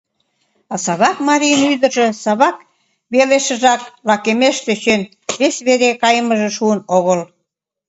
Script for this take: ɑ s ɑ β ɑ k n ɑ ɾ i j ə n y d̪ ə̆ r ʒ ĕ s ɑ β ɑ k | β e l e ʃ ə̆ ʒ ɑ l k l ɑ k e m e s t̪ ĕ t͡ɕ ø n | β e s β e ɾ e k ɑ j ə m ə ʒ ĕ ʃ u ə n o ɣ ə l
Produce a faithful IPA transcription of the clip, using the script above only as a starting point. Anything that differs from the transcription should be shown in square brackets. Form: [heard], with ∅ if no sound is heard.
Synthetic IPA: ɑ s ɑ β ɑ k [m] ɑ ɾ i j ə n y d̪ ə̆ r ʒ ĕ s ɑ β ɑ k | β e l e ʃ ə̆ ʒ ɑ [∅] k l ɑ k e m e [ʃ] t̪ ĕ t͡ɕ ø n | β e s β e ɾ e k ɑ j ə m ə ʒ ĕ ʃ u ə n o ɣ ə l